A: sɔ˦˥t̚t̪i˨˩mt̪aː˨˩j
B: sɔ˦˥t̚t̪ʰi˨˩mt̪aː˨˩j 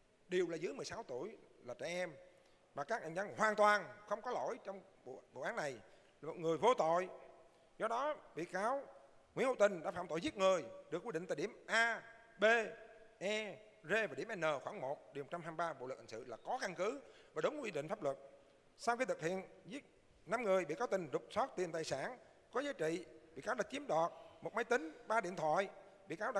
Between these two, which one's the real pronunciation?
A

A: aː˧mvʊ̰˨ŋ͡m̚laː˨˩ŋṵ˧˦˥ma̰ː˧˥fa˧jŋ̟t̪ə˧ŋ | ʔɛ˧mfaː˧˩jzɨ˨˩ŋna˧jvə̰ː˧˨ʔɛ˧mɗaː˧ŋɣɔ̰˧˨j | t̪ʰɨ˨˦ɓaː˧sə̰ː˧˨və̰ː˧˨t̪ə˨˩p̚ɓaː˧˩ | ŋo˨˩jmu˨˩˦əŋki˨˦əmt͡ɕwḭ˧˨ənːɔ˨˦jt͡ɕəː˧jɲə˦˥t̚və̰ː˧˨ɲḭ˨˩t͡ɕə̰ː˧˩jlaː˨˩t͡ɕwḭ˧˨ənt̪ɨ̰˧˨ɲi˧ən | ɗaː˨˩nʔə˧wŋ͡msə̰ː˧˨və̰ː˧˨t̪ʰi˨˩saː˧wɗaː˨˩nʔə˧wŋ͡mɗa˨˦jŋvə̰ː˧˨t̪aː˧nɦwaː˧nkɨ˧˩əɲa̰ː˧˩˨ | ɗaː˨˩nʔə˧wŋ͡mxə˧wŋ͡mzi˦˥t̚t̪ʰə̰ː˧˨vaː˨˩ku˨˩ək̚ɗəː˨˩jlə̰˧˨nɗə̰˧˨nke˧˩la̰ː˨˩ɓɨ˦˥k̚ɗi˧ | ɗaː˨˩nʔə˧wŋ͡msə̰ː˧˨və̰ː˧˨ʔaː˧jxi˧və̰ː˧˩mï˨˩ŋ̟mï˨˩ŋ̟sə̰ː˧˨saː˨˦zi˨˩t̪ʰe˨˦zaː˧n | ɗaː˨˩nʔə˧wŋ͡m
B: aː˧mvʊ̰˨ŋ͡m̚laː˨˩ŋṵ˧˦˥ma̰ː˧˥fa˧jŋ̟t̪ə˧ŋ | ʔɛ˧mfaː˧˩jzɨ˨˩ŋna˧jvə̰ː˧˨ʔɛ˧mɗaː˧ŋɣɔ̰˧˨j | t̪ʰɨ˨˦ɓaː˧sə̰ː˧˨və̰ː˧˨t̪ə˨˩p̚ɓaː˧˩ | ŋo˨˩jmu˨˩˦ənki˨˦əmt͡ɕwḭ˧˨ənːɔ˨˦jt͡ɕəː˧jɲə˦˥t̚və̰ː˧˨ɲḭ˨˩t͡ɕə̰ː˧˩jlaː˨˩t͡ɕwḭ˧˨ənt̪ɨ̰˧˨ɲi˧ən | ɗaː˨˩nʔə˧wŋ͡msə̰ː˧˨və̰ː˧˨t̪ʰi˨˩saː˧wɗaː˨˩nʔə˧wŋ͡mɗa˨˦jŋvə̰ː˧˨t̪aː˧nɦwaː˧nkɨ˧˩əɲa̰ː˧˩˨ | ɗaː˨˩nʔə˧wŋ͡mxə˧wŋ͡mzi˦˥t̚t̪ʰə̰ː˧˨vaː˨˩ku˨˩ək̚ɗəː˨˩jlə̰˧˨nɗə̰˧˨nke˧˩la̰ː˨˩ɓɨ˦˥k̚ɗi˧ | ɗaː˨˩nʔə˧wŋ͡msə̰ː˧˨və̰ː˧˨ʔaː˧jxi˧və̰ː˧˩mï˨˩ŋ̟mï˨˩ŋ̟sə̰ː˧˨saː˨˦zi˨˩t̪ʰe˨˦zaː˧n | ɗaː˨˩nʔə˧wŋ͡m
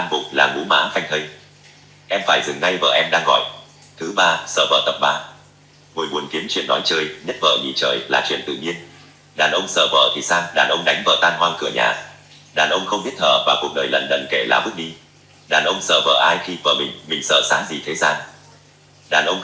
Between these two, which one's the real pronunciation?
B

